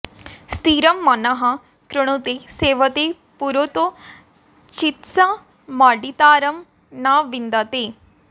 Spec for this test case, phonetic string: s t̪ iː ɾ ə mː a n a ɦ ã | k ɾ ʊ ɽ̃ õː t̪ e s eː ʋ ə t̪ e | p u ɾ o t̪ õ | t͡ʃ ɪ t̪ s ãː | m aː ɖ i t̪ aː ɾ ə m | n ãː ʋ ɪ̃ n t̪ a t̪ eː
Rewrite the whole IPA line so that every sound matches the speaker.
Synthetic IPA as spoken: s t̪ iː ɾ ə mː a n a ɦ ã | k ɾ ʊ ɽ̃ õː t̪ e s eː ʋ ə t̪ e | p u ɾ o t̪ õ | t͡ʃ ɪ t̪ s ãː | m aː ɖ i t̪ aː ɾ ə m | n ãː ʋ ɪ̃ n d̪ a t̪ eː